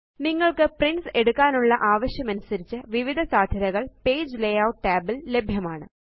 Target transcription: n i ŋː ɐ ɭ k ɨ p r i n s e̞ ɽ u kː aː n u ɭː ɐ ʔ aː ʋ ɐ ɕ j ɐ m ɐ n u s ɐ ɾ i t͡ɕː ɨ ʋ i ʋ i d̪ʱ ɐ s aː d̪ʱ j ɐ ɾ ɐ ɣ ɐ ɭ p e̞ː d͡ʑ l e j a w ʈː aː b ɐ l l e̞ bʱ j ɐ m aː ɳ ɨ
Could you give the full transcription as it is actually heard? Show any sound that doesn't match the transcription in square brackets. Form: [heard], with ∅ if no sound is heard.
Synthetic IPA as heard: n i ŋː ɐ ɭ k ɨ p r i n s e̞ ɽ u kː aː n u ɭː ɐ ʔ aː ʋ ɐ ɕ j ɐ m ɐ n u s ɐ ɾ i t͡ɕː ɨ ʋ i ʋ i d̪ʱ ɐ s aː d̪ʱ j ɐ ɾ ɐ ɣ ɐ ɭ p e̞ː d͡ʑ l e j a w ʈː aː b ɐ l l e̞ bʱ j ɐ m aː ɳ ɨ